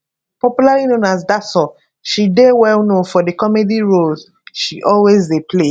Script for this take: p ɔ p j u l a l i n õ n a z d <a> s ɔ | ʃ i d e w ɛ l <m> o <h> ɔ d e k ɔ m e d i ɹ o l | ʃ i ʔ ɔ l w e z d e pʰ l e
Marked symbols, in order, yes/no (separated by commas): yes, no, no